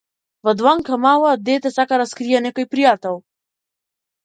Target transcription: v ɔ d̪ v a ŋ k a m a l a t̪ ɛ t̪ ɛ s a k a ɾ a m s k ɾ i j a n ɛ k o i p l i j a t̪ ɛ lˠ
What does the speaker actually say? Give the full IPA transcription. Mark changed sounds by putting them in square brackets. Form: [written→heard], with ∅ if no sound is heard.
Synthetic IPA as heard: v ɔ d̪ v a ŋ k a m a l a [t̪→d̪] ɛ t̪ ɛ s a k a ɾ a [m→∅] s k ɾ i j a n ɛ k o [i→j] p [l→ɾ] i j a t̪ ɛ lˠ